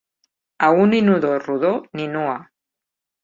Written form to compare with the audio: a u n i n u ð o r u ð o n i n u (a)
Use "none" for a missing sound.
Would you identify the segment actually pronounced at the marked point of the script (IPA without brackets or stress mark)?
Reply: a